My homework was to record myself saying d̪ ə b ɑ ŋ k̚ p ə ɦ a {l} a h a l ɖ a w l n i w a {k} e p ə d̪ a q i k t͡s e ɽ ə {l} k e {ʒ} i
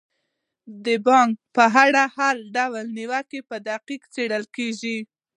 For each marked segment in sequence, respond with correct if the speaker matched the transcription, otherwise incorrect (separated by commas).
incorrect, correct, correct, correct